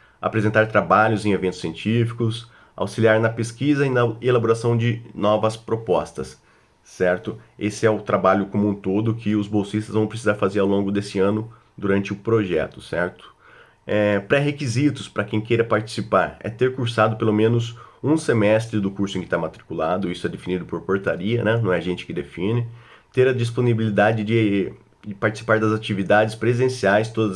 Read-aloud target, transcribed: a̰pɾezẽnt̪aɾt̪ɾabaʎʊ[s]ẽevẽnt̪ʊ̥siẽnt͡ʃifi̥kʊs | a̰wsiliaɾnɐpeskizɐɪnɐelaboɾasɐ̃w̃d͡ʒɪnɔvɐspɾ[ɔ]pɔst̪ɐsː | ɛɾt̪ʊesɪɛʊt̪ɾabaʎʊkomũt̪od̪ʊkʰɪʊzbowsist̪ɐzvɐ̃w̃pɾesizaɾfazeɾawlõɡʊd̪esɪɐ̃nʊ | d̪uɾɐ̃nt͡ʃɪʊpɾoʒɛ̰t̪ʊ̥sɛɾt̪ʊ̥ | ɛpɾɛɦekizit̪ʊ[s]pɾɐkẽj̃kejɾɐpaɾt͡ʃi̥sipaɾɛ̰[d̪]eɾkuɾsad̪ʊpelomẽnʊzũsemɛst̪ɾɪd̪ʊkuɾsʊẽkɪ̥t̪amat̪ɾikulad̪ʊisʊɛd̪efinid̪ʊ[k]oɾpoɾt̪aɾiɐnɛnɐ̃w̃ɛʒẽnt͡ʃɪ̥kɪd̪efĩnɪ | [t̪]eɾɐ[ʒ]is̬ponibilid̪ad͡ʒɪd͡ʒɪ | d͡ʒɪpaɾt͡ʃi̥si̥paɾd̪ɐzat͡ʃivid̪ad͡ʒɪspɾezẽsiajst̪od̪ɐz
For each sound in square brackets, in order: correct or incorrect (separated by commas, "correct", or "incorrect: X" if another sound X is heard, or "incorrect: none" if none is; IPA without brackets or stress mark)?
incorrect: z, incorrect: o, correct, incorrect: t̪, incorrect: p, correct, incorrect: d͡ʒ